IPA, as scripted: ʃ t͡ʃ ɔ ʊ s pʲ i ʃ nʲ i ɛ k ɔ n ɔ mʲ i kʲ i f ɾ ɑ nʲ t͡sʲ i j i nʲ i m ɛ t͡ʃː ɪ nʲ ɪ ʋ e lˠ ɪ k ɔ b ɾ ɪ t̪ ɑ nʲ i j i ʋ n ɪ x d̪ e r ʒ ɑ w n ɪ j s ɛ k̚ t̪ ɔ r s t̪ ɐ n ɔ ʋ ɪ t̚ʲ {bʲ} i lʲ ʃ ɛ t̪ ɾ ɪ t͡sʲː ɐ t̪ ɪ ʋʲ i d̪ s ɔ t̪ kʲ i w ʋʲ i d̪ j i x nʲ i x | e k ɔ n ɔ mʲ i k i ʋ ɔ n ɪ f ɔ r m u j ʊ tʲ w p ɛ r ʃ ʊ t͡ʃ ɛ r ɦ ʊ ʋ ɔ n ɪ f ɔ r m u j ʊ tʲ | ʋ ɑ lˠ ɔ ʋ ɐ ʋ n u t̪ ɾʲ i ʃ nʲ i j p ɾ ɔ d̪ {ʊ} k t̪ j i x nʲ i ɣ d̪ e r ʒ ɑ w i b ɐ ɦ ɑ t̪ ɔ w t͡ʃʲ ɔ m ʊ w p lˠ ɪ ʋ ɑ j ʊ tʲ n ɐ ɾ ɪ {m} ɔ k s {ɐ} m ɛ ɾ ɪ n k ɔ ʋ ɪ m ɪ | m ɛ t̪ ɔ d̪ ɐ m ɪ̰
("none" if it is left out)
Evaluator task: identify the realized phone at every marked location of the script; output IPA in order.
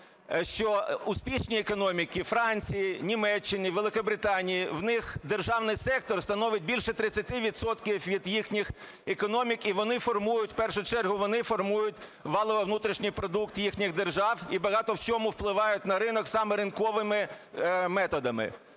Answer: bʲ, u, n, ɑ

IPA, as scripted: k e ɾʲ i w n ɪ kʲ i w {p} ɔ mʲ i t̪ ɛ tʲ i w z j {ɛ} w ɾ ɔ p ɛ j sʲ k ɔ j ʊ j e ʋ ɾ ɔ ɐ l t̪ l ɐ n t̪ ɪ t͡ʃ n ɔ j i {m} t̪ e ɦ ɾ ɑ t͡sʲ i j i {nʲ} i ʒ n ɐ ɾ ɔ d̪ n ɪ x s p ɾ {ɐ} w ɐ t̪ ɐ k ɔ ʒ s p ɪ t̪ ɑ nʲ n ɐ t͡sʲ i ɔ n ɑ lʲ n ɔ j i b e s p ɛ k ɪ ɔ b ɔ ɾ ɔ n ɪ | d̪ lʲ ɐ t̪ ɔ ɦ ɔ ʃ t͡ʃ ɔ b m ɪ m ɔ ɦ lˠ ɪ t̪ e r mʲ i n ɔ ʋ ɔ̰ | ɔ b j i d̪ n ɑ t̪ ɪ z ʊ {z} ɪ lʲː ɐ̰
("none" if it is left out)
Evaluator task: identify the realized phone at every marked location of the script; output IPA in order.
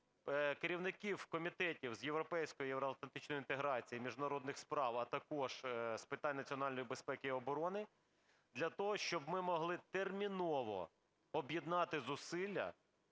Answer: k, e, n, mʲ, ɑ, s

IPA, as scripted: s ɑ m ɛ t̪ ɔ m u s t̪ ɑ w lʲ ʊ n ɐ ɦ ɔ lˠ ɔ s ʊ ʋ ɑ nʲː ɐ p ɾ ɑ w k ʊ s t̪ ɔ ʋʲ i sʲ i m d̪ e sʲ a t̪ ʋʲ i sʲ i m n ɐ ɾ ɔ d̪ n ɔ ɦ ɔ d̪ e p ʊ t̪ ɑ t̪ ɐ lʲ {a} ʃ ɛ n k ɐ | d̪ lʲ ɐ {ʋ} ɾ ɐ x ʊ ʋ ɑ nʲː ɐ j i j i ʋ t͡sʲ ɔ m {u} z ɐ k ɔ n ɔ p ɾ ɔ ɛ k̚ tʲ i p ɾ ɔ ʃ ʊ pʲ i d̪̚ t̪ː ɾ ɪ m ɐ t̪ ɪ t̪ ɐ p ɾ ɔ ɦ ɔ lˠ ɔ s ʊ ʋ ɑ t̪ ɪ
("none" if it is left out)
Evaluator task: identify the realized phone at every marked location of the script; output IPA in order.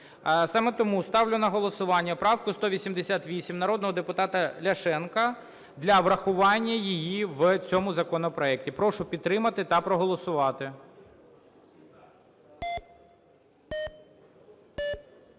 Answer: ɐ, ʋ, ʊ

